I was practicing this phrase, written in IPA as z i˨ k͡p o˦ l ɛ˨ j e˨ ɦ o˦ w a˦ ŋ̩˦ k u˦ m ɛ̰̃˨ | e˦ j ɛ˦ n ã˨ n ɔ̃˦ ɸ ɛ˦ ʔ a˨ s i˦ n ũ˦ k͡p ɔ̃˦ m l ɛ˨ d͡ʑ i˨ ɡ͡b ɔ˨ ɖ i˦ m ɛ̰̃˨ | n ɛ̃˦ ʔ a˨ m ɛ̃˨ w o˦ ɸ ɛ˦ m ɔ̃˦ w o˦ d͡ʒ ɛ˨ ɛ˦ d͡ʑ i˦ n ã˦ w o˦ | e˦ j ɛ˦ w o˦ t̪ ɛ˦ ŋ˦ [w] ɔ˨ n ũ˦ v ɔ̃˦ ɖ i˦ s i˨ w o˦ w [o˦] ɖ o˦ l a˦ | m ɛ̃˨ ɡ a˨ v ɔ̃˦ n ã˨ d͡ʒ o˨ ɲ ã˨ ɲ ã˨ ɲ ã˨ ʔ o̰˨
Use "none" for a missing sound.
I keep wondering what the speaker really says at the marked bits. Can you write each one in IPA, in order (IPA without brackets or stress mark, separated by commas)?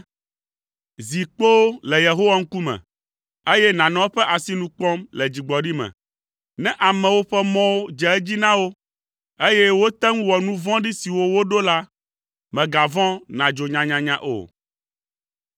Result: w, o˦